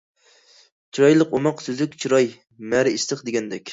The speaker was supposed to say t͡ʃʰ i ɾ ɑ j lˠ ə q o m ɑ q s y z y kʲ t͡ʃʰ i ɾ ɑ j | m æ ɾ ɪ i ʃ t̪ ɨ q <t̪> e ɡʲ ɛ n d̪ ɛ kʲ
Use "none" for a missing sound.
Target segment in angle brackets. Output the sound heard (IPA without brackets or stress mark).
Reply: d̪